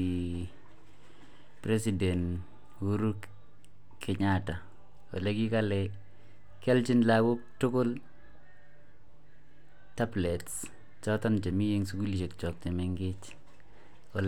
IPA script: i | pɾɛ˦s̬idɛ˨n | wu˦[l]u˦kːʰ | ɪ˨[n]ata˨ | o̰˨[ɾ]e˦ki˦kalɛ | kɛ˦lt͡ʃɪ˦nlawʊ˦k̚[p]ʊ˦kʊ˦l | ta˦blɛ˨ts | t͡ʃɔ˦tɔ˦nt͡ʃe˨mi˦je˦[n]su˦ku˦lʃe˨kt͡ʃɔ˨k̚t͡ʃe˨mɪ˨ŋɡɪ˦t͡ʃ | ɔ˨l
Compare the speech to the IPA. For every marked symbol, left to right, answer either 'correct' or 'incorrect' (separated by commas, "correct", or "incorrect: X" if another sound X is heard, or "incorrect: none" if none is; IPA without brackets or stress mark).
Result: incorrect: ɾ, incorrect: ɲ, incorrect: l, incorrect: t, incorrect: ŋ